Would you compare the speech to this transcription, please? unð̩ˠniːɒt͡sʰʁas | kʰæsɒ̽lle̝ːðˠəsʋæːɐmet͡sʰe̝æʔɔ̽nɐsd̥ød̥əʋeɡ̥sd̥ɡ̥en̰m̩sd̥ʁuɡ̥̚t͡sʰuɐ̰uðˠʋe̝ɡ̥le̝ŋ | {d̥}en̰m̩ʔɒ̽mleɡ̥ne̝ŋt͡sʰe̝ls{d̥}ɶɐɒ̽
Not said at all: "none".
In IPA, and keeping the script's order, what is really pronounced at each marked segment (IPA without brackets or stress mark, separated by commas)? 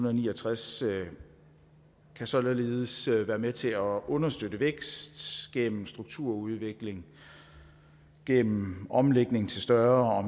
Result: ɡ̥, d̥